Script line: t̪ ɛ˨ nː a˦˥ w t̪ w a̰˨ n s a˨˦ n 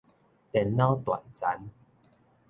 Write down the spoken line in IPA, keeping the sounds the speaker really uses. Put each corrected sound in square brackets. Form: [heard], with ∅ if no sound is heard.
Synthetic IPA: t̪ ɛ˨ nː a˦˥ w t̪ w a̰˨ n [t͡s] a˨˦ n

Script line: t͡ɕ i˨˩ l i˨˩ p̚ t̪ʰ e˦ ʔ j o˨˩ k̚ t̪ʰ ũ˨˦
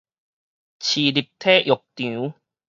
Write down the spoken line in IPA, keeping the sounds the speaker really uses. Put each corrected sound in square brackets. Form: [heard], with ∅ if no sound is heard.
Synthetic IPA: [t͡ɕʰ] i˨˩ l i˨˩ p̚ t̪ʰ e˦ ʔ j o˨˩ k̚ [t̪] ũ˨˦

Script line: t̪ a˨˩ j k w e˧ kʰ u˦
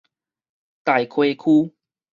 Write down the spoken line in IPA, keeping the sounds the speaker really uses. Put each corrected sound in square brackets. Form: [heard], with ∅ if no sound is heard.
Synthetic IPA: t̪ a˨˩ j [kʰ] w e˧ kʰ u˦

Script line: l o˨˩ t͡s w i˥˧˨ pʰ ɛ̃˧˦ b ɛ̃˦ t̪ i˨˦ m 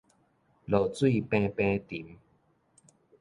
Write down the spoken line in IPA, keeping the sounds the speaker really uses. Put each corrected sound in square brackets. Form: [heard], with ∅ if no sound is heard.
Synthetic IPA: l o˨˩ t͡s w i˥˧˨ [p] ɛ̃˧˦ [p] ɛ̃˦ t̪ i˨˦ m

